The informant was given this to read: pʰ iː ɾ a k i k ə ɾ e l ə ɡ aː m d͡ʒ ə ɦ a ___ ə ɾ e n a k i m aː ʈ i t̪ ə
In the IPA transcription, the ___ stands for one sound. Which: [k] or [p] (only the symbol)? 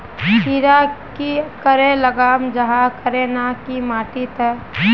k